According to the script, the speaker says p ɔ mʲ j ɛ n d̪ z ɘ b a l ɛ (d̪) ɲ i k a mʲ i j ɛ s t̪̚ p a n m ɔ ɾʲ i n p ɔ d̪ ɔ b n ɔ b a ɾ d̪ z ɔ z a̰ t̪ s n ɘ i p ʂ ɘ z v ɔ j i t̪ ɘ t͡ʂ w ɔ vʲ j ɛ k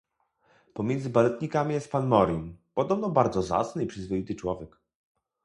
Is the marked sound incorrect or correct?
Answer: incorrect